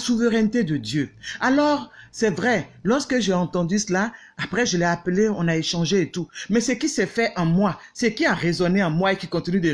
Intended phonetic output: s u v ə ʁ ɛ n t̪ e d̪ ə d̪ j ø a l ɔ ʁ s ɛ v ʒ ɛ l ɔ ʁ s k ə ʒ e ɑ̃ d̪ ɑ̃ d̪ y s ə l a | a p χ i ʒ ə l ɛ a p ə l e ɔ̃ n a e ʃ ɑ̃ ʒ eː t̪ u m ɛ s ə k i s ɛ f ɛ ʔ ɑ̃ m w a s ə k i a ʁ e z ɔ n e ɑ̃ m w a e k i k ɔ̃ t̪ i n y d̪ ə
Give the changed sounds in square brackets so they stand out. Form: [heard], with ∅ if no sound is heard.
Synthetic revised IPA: s u v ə ʁ ɛ n t̪ e d̪ ə d̪ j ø a l ɔ ʁ s ɛ v [ʁ] ɛ l ɔ ʁ s k ə ʒ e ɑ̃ [t̪] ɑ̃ d̪ y s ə l a | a p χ [ɛ] ʒ ə l ɛ a p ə l e ɔ̃ n a e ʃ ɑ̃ ʒ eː t̪ u m ɛ s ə k i s ɛ f ɛ ʔ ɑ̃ m w a s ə k i a ʁ e z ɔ n e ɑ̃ m w a e k i k ɔ̃ t̪ i n y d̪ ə